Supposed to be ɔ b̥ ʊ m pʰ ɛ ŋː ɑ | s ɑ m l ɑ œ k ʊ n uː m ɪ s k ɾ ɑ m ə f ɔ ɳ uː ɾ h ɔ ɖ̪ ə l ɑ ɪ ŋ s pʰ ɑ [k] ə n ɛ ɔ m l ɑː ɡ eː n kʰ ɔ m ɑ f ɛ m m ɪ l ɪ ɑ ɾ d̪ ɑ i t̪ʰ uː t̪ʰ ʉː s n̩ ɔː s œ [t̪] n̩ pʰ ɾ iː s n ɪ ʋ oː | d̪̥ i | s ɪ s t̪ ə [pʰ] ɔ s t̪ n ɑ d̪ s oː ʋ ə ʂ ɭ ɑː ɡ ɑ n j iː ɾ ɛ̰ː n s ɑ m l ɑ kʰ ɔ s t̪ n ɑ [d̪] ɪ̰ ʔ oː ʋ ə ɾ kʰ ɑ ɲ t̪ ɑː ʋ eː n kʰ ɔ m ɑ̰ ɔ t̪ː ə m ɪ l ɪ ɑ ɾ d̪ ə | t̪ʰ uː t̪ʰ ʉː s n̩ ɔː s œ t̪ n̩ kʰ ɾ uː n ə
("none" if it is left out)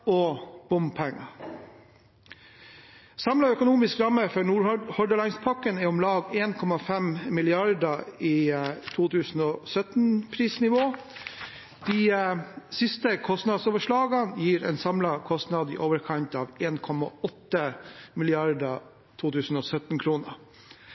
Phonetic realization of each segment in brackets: k, t̪, kʰ, d̪

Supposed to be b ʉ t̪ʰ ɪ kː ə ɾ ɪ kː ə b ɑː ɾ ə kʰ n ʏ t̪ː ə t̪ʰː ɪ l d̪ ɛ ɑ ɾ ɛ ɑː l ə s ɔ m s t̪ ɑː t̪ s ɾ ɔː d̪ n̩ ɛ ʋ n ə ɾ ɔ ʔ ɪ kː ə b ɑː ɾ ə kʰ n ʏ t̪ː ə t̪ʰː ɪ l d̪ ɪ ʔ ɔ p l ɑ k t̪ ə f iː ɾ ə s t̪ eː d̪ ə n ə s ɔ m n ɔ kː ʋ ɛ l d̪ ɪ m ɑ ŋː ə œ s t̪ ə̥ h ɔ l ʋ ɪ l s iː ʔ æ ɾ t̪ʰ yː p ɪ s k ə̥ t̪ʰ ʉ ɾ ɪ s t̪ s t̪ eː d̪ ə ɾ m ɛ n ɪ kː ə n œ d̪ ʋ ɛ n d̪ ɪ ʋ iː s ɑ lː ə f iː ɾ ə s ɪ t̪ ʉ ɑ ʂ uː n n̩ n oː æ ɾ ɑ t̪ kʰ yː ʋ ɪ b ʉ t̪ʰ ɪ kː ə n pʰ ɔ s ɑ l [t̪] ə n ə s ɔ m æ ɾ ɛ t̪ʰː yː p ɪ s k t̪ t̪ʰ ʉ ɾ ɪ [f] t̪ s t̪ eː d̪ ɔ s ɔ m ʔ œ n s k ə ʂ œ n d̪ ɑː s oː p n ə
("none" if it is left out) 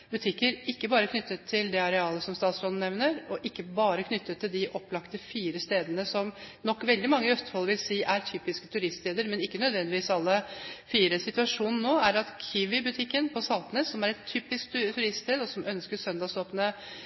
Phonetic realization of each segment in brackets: t̪, s

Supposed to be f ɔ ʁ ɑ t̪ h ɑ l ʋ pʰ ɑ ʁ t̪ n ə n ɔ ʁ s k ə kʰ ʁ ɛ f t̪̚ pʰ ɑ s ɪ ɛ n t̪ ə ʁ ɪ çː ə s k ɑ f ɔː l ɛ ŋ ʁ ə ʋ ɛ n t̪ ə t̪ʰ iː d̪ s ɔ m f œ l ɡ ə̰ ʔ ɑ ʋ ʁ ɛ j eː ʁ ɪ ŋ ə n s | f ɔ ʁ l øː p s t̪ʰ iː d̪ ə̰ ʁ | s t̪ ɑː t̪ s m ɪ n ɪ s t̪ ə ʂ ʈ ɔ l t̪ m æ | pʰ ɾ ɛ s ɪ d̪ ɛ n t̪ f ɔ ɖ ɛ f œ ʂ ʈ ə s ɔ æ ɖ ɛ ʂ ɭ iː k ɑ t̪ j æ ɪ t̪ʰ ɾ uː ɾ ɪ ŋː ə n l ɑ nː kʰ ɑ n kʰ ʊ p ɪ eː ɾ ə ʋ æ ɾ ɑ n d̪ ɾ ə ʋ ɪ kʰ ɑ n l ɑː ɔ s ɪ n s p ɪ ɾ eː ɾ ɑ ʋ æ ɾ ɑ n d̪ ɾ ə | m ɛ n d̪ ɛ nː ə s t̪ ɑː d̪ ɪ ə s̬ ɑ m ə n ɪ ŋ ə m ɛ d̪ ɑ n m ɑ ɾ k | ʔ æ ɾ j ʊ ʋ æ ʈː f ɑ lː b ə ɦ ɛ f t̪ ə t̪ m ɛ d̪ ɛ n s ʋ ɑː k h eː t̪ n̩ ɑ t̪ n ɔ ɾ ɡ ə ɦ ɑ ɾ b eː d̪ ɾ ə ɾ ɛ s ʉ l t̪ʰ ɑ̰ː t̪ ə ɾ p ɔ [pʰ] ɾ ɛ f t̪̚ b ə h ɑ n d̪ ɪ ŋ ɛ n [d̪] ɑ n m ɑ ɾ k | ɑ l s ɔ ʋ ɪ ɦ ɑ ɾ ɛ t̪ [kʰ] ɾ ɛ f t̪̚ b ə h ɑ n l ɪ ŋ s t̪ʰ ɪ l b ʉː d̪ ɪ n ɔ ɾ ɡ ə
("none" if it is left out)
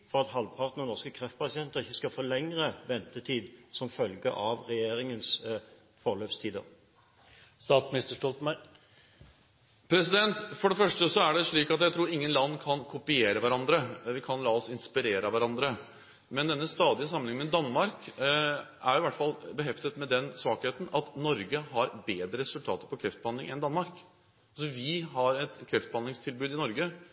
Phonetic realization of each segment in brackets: kʰ, d̪, kʰ

